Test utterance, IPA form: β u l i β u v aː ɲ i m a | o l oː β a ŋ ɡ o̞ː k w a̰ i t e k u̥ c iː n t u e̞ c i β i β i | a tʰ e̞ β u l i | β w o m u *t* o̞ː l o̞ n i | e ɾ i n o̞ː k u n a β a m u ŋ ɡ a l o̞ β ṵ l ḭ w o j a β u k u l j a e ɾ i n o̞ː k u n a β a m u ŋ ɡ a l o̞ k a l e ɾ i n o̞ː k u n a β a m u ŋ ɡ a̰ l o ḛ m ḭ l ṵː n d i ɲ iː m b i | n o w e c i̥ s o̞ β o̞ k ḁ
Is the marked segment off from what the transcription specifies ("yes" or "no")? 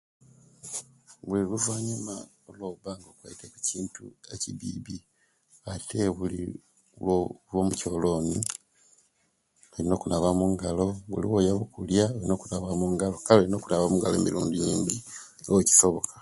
yes